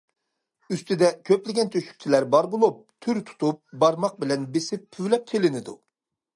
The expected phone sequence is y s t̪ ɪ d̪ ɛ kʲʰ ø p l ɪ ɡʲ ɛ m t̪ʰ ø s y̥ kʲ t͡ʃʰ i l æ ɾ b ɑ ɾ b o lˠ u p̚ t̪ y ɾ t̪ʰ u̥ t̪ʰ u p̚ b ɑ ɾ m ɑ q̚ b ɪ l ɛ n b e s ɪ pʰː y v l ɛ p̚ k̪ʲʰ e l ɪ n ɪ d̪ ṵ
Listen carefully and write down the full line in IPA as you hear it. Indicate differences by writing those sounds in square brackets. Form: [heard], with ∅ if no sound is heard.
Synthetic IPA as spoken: y s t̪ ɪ d̪ ɛ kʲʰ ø p l ɪ ɡʲ ɛ [n] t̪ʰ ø [ʃ] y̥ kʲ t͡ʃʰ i l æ ɾ b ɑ ɾ b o lˠ u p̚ [t̪ʰ] y ɾ t̪ʰ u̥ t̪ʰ u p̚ b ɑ ɾ m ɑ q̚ b ɪ l ɛ n b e s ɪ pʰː y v l ɛ p̚ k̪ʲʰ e l ɪ n ɪ d̪ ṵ